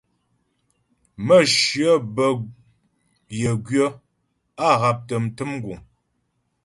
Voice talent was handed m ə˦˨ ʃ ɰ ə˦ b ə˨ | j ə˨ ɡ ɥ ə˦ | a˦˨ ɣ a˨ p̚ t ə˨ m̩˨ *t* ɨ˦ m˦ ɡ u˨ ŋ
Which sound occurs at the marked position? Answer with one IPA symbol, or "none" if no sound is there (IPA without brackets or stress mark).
t